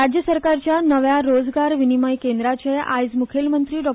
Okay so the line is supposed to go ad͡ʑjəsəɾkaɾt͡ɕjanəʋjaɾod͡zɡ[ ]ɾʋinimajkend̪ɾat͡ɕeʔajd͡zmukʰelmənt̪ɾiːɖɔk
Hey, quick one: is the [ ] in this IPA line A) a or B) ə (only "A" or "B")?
A